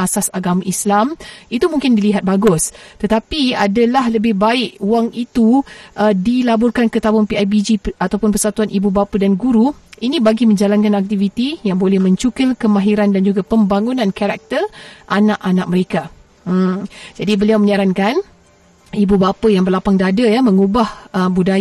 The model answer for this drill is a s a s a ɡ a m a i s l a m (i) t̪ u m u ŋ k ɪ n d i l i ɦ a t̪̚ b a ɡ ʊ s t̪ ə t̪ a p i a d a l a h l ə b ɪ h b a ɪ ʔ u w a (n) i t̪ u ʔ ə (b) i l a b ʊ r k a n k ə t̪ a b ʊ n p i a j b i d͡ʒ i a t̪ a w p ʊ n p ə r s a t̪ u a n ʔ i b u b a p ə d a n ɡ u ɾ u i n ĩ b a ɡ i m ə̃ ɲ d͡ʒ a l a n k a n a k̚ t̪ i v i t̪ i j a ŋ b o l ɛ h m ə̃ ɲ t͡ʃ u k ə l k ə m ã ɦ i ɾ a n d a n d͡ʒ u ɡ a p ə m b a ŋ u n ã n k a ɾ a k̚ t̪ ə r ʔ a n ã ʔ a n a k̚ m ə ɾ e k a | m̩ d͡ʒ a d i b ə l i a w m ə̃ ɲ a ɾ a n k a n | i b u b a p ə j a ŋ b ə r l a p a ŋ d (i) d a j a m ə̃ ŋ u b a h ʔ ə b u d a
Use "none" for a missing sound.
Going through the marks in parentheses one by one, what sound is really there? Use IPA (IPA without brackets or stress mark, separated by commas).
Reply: i, ŋ, d, a